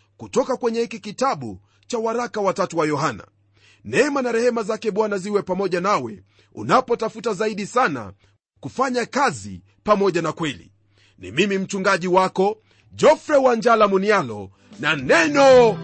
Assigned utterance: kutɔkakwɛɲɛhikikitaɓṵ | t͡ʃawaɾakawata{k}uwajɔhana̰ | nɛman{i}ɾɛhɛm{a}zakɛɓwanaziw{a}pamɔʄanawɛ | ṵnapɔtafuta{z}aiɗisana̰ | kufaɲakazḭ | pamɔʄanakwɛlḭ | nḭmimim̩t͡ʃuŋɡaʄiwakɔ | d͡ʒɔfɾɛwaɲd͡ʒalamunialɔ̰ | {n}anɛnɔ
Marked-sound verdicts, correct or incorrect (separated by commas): incorrect, incorrect, correct, incorrect, correct, correct